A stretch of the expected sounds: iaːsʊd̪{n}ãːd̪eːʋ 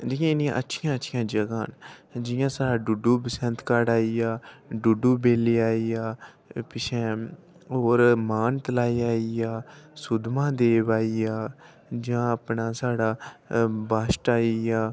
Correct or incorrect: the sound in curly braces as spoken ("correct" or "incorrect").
incorrect